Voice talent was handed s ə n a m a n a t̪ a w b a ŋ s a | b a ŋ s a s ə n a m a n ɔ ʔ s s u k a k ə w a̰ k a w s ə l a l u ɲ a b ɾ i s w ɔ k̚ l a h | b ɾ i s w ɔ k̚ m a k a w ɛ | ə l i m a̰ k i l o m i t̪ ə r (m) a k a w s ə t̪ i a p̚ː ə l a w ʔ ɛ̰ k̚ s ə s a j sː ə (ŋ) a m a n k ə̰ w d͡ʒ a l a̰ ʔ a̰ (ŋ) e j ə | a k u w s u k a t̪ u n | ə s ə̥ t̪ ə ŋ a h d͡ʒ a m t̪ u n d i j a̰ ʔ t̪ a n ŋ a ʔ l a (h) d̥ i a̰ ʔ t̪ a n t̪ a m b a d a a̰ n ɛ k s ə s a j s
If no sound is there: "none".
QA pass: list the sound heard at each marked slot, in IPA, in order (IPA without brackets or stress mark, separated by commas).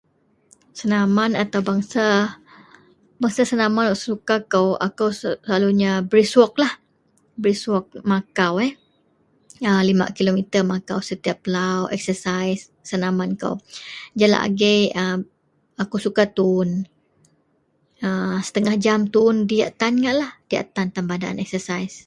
m, n, ɡ, h